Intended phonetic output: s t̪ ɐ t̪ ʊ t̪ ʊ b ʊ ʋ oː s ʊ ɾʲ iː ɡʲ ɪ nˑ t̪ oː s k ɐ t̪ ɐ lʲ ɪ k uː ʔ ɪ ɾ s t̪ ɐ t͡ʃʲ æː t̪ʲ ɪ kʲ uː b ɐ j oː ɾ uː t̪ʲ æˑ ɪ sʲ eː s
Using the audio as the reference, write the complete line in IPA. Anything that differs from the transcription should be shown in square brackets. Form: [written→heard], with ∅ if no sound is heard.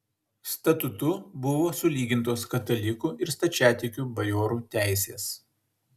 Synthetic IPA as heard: s t̪ ɐ t̪ ʊ t̪ ʊ b ʊ ʋ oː s ʊ [ɾʲ→lʲ] iː ɡʲ ɪ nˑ t̪ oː s k ɐ t̪ ɐ lʲ ɪ k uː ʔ ɪ ɾ s t̪ ɐ t͡ʃʲ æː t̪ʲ ɪ kʲ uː b ɐ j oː ɾ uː t̪ʲ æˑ ɪ sʲ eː s